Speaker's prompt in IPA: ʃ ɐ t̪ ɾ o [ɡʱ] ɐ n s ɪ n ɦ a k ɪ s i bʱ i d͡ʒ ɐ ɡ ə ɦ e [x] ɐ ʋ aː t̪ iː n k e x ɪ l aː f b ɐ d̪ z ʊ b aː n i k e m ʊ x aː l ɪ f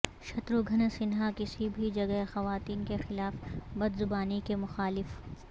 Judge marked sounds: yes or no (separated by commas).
yes, yes